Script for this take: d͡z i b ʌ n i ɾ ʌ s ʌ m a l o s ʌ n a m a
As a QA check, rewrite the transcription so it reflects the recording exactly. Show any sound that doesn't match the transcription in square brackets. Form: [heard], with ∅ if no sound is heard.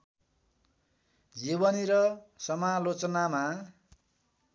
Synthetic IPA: d͡z i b ʌ n i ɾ ʌ s ʌ m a l o [t͡s] ʌ n a m a